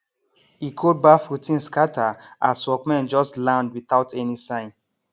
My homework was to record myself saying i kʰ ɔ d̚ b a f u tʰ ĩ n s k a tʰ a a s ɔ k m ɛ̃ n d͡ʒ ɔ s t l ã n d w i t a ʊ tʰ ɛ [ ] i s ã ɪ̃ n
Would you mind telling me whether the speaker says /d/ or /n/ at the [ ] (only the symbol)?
n